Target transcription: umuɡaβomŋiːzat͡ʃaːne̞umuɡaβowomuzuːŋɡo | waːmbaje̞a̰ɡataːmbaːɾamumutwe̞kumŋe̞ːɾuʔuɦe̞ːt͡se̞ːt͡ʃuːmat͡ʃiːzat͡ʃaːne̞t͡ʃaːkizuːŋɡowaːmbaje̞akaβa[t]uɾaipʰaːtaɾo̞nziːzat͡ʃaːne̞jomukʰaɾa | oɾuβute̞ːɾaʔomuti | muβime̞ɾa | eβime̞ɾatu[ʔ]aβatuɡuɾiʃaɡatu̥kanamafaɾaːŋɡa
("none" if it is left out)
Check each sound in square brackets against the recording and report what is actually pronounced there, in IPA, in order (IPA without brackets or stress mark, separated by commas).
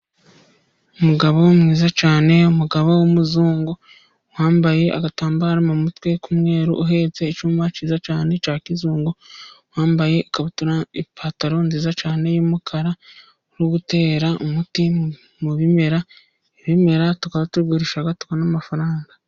t, k